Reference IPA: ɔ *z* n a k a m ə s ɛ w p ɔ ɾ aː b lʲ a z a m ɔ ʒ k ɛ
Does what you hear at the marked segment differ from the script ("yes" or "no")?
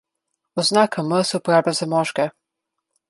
no